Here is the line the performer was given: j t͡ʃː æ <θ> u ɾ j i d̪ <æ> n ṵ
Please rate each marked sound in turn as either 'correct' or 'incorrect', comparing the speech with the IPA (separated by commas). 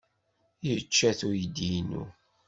correct, incorrect